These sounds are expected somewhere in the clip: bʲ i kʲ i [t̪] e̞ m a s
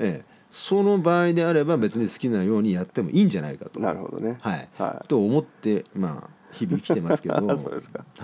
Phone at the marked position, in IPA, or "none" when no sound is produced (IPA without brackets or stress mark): t̪